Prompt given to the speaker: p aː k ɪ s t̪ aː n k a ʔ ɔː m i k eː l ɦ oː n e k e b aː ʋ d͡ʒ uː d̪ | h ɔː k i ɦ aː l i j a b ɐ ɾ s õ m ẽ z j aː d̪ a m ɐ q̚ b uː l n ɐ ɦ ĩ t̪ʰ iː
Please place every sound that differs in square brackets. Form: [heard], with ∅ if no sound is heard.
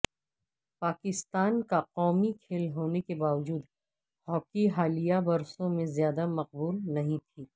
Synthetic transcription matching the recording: p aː k ɪ s t̪ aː n k a [q] ɔː m i [kʰ] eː l ɦ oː n e k e b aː ʋ d͡ʒ uː d̪ | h ɔː k i ɦ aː l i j a b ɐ ɾ s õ m ẽ z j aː d̪ a m ɐ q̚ b uː l n ɐ ɦ ĩ t̪ʰ iː